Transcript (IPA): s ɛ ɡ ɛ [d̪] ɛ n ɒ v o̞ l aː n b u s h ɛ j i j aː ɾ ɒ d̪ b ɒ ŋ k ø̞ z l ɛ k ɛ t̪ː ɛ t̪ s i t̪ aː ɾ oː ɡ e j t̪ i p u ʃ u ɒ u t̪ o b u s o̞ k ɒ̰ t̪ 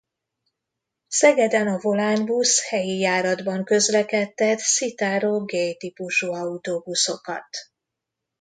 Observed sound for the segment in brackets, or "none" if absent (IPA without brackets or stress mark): d̪